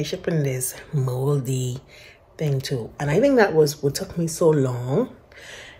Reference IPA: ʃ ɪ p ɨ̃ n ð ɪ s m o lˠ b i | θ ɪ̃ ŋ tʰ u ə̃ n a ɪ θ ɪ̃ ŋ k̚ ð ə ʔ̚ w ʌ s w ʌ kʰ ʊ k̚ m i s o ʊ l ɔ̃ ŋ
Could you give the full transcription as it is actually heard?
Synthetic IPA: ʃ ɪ p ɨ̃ n ð ɪ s m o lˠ d i | θ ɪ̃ ŋ tʰ u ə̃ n a ɪ θ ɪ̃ ŋ k̚ ð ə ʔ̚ w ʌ z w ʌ tʰ ʊ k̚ m i s o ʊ l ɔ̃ ŋ

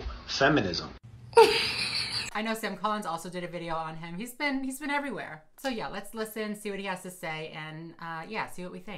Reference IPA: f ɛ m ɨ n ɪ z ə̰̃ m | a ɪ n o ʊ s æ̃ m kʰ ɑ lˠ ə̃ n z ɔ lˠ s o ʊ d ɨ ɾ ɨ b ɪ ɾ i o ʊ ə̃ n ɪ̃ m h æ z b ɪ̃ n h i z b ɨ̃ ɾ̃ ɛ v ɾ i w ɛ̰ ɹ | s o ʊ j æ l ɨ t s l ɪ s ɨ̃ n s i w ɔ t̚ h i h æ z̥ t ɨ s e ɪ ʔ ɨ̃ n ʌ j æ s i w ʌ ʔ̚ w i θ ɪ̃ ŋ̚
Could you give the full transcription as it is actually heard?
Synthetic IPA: f ɛ m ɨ n ɪ z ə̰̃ m | a ɪ n o ʊ s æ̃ m kʰ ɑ lˠ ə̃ n z ɔ lˠ s o ʊ d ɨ ɾ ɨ v ɪ ɾ i o ʊ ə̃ n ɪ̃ m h i z b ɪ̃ n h i z b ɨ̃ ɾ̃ ɛ v ɹ i w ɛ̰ ɹ | s o ʊ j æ l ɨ t s l ɪ s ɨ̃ n s i w ʌ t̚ h i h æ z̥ t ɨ s e ɪ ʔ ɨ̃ n ʌ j æ s i w ʌ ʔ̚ w i θ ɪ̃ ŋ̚

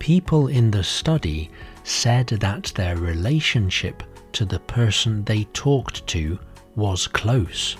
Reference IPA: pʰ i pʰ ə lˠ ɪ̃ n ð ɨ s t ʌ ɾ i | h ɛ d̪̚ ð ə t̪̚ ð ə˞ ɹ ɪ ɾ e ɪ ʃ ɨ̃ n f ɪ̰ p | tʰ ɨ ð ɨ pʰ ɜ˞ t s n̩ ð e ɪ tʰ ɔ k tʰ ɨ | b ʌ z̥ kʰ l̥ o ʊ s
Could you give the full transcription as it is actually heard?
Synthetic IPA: pʰ i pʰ ə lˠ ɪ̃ n ð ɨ s t ʌ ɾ i | s ɛ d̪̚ ð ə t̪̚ ð ə˞ ɹ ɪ l e ɪ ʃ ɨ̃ n ʃ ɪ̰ p | tʰ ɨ ð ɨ pʰ ɜ˞ s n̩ ð e ɪ tʰ ɔ k tʰ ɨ | w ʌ z̥ kʰ l̥ o ʊ s

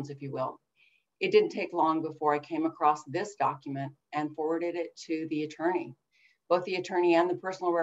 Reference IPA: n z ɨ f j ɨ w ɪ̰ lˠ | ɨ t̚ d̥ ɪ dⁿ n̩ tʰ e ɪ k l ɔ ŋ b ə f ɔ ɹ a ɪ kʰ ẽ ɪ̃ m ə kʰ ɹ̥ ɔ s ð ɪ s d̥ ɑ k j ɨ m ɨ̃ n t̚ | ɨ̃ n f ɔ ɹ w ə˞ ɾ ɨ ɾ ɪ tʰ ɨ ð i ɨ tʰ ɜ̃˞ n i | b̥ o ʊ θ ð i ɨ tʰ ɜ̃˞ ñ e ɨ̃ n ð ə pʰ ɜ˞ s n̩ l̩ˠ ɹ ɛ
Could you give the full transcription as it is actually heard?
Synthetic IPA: n z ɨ f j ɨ w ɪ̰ lˠ | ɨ t̚ d̥ ɪ dⁿ n̩ tʰ e ɪ k l ɔ̃ ŋ b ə f ɔ ɹ a ɪ kʰ ẽ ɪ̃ m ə kʰ ɹ̥ ɔ s ð ɪ s d̥ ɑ k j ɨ m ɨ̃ n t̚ | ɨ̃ n f ɔ ɹ w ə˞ ɾ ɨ ɾ ɪ tʰ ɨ ð i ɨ tʰ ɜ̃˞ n i | b̥ o ʊ θ ð i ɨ tʰ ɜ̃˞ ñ i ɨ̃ n ð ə pʰ ɜ˞ s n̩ l̩ˠ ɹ ɛ

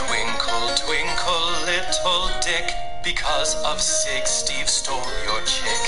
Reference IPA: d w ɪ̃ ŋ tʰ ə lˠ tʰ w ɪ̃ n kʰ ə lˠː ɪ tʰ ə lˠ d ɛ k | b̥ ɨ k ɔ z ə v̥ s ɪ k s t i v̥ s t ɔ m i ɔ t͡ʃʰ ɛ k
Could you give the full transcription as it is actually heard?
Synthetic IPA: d w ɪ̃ ŋ kʰ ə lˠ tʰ w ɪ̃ ŋ kʰ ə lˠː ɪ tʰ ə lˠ d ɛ k | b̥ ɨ kʰ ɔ z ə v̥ s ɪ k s t i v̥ s t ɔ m j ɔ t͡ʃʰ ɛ k

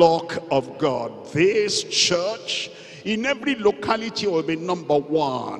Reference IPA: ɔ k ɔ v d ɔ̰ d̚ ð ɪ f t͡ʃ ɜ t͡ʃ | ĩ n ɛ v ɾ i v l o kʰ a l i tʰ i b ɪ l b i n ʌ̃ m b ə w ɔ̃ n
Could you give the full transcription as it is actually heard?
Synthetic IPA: ɔ k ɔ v ɡ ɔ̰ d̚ ð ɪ s t͡ʃ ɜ t͡ʃ | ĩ n ɛ v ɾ i l o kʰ a l i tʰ i w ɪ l b i n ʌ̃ m b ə w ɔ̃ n

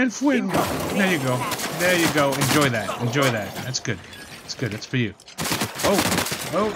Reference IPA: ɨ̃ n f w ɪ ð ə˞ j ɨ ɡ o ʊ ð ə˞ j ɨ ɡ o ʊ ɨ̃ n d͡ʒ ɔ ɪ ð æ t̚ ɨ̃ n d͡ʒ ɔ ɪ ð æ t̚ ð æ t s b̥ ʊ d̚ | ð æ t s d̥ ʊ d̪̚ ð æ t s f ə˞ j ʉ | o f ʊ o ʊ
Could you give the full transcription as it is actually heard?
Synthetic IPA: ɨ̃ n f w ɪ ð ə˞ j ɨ ɡ o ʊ ð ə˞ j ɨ ɡ o ʊ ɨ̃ n d͡ʒ ɔ ɪ ð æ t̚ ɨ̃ n d͡ʒ ɔ ɪ ð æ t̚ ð æ t s ɡ̥ ʊ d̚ | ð æ t s ɡ̥ ʊ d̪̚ ð æ t s f ə˞ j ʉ | o ʊ o ʊ

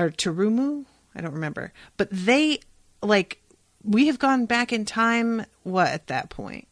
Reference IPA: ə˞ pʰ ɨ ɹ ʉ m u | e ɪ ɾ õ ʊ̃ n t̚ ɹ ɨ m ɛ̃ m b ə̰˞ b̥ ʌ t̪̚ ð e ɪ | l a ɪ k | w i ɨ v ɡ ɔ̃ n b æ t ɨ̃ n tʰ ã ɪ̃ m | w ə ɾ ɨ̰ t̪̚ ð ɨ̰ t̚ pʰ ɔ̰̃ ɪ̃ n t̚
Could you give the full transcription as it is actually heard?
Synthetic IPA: ə˞ tʰ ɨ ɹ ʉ m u | a ɪ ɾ õ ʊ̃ n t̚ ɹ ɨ m ɛ̃ m b ə̰˞ b̥ ʌ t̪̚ ð e ɪ | l a ɪ k | w i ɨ v ɡ ɔ̃ n b æ k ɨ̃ n tʰ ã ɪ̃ m | w ʌ ɾ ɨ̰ t̪̚ ð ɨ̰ t̚ pʰ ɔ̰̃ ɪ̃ n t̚

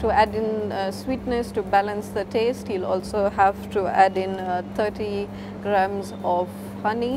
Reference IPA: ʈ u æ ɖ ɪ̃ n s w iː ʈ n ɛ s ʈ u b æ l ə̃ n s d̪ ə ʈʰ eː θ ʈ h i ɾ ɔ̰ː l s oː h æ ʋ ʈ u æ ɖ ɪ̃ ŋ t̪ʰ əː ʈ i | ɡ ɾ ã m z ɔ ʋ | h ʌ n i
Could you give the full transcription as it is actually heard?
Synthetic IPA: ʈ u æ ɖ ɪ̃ n s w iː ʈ n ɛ s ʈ u b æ l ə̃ n s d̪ ə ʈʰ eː s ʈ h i l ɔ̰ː l s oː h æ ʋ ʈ u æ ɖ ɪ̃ n t̪ʰ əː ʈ i | ɡ ɾ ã m z ɔ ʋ | h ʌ n i

